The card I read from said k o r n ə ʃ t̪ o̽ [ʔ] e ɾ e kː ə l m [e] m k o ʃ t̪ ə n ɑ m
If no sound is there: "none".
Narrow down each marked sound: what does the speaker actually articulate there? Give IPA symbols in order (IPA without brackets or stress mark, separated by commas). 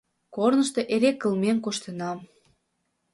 ʔ, e